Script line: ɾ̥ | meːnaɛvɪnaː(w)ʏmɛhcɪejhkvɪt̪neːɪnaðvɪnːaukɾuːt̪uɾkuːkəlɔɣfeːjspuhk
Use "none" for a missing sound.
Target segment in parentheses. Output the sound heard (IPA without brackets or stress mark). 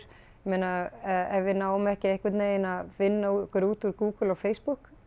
w